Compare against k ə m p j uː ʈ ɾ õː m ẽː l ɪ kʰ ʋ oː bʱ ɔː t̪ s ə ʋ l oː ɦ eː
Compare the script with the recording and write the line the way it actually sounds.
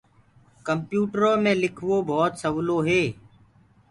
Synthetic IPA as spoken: k ə m p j uː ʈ ɾ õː m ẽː l ɪ kʰ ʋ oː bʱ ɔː t̪ s ə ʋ l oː ɦ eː